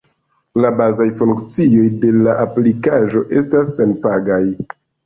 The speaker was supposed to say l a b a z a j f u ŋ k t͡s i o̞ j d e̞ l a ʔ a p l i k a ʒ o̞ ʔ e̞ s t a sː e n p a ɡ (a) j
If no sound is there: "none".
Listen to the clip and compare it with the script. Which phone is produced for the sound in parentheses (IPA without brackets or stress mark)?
a